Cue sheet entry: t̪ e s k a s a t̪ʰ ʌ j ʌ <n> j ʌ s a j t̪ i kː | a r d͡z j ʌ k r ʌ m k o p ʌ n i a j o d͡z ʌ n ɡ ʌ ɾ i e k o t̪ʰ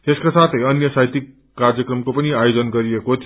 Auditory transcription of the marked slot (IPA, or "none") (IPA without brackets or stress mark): n